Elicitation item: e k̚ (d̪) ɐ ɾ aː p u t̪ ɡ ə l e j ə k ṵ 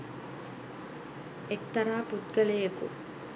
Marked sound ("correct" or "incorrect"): incorrect